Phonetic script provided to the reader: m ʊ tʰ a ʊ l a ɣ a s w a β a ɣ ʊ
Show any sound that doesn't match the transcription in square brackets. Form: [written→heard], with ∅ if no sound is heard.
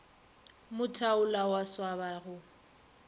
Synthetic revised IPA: m ʊ tʰ a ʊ l a [ɣ→w] a s w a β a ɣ ʊ